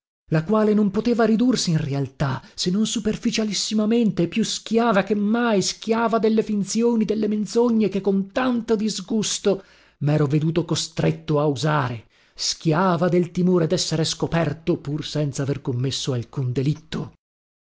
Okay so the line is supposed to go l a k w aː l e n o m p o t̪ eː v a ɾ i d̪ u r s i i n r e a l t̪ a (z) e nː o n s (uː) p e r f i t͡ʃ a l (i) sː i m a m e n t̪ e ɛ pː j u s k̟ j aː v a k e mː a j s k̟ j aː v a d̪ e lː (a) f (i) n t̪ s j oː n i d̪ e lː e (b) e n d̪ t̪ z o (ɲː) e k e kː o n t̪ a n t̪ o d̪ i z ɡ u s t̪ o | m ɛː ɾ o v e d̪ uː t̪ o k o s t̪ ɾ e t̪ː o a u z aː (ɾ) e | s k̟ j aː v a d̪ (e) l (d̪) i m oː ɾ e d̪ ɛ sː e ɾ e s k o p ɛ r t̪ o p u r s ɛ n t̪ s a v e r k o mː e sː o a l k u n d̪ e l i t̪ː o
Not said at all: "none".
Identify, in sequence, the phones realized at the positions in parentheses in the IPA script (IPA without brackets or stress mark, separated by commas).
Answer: s, u, i, e, i, m, ɲː, ɾ, e, t̪